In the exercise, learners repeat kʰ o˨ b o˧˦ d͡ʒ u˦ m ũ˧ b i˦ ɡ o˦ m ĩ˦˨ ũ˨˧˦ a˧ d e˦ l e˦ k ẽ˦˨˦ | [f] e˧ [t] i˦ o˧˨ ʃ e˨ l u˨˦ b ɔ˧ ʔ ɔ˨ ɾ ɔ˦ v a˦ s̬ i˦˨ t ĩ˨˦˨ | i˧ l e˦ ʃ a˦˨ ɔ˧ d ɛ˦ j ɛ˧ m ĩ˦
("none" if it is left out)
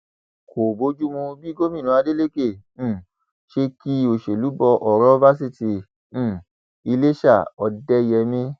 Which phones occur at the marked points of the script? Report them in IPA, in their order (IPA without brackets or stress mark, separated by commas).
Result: ʃ, k